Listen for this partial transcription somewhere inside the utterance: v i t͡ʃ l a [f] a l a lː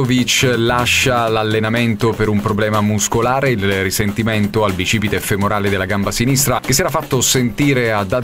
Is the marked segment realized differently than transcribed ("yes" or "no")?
yes